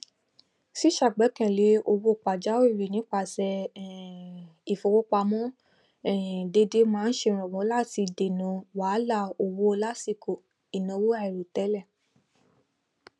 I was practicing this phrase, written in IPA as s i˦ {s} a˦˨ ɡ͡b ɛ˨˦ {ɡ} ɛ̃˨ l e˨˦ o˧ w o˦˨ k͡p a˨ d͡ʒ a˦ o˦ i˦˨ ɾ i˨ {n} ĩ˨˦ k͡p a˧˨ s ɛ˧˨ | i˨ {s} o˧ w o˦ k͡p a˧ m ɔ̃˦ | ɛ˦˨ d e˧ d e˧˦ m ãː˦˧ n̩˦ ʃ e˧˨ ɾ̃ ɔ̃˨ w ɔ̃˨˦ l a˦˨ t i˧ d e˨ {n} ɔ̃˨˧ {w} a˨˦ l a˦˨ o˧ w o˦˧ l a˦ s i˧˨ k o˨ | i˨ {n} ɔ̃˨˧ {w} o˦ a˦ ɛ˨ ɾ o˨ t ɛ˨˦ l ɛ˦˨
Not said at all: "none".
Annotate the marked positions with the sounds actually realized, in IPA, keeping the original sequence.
ʃ, k, n, f, n, w, n, w

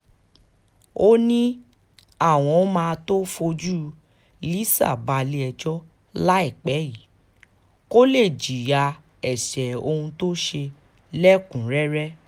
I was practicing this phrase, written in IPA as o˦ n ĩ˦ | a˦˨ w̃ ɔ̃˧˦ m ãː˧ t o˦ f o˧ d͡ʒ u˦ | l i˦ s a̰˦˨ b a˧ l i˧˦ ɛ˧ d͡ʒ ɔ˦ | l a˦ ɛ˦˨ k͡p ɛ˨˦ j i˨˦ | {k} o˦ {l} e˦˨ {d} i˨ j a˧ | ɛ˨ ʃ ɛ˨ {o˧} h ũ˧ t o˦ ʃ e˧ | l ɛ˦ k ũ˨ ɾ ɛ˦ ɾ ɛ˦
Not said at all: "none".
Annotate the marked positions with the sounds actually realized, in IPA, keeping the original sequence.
k, l, d͡ʒ, o˧

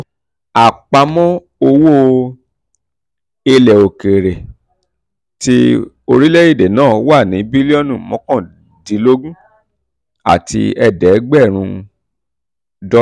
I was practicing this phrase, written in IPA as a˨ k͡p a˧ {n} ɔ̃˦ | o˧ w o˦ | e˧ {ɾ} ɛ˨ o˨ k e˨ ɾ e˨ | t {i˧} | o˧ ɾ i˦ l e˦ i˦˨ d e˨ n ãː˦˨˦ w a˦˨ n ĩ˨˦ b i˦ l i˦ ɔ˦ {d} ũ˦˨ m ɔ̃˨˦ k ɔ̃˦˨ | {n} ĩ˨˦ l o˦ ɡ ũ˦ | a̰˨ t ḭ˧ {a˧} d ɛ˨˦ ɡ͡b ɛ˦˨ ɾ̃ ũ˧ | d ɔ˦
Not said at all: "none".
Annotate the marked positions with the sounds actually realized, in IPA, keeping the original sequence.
m, l, i˧, n, d, ɛ˧

